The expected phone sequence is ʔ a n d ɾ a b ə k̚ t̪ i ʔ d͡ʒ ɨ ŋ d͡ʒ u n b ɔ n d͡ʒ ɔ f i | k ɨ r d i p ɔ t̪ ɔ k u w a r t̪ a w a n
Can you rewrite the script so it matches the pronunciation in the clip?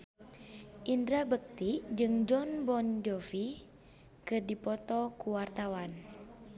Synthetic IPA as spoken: ʔ i n d ɾ a b ə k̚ t̪ i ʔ d͡ʒ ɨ ŋ d͡ʒ ɔ n b ɔ n d͡ʒ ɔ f i | k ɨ r d i p ɔ t̪ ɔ k u w a r t̪ a w a n